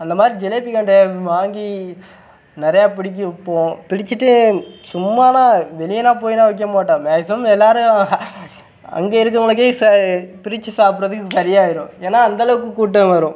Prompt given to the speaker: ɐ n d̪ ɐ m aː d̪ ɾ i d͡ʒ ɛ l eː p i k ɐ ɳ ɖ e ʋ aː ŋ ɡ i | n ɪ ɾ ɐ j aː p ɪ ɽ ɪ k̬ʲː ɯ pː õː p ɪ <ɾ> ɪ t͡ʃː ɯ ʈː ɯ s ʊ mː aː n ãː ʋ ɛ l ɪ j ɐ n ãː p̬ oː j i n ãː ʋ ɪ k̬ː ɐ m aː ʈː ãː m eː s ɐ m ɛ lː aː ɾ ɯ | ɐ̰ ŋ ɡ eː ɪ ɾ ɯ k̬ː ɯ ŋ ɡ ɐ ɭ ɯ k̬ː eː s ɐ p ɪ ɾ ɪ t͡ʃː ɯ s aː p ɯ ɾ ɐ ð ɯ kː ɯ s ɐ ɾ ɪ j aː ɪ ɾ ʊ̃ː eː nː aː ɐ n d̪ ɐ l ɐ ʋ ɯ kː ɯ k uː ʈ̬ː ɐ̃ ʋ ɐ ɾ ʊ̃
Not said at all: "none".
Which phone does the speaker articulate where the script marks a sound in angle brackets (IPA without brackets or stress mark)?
ɽ